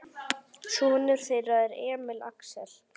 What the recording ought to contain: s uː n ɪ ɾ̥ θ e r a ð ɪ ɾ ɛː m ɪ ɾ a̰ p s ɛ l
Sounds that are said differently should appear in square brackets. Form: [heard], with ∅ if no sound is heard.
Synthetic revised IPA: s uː n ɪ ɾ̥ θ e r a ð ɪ ɾ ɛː m ɪ [l] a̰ [k] s ɛ l